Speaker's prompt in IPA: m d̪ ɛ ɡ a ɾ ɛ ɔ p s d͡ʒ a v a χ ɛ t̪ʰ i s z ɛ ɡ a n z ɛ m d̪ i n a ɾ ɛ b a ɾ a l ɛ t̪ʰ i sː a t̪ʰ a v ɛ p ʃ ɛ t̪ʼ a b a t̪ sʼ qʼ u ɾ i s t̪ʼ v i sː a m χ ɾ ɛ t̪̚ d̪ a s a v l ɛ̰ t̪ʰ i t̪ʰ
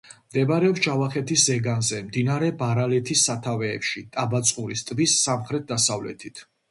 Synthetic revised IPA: m d̪ ɛ b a ɾ ɛ ɔ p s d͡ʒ a v a χ ɛ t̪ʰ i s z ɛ ɡ a n z ɛ m d̪ i n a ɾ ɛ b a ɾ a l ɛ t̪ʰ i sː a t̪ʰ a v ɛː p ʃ i t̪ʼ a b a t̪ sʼ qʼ u ɾ i s t̪ʼ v i sː a m χ ɾ ɛ t̪̚ d̪ a s a v l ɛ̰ t̪ʰ i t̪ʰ